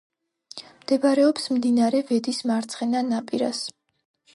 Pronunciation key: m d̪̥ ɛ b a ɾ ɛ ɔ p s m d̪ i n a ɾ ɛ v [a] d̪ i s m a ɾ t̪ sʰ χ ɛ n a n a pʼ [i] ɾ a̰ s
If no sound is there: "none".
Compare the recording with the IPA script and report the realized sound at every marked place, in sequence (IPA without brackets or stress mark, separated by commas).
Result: ɛ, i